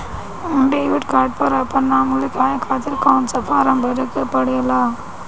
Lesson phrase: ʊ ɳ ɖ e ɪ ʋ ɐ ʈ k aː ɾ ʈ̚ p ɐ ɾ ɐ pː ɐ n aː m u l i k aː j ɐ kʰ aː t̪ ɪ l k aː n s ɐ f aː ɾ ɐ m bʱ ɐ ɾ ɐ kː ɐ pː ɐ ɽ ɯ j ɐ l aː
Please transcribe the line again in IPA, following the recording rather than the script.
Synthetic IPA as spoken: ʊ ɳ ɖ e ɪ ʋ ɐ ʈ k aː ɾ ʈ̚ p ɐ ɾ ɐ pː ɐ n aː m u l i k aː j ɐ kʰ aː t̪ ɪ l k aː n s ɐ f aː ɾ ɐ m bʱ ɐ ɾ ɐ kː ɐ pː ɐ ɽ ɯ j ɐ l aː